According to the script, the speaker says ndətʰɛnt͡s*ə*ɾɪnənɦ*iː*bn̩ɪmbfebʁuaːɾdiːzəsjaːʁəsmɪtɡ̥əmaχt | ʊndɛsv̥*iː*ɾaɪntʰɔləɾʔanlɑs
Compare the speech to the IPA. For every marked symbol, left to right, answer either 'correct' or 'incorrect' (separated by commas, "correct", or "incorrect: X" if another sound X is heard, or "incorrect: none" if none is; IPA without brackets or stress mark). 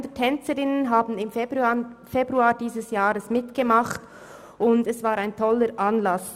correct, incorrect: aː, incorrect: aː